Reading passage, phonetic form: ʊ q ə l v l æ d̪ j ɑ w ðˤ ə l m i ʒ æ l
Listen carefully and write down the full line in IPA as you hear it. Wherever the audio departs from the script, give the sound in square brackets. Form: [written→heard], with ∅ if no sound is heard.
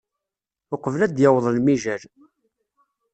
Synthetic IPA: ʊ q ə [l→∅] v l æ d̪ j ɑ w ðˤ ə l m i ʒ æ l

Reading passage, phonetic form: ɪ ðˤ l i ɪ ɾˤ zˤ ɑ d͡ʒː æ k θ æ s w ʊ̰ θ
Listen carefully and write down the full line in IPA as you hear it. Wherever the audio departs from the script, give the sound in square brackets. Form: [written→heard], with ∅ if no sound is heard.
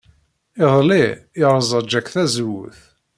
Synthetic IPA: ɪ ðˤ l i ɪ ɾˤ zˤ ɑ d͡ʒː æ k θ æ [s→z] w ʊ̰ θ

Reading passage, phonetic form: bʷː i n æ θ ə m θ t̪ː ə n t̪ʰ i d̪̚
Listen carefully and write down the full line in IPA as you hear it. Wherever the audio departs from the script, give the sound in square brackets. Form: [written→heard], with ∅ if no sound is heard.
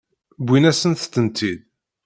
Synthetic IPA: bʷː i n æ [θ→s] ə [m→n] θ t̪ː ə n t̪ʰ i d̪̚

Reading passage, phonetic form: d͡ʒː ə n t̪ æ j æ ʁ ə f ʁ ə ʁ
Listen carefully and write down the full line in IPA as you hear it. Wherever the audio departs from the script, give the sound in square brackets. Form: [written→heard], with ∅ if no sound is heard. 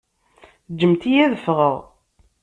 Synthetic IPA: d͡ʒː ə [n→m] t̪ [æ→i] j æ [ʁ→ð] ə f ʁ ə ʁ

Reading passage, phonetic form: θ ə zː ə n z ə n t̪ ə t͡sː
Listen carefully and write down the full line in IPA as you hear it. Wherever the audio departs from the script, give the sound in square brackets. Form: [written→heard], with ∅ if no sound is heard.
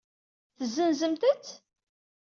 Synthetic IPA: θ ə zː ə n z ə [n→m] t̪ ə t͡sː

